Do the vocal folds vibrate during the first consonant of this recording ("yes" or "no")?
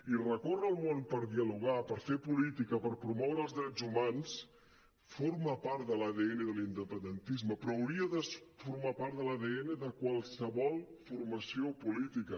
yes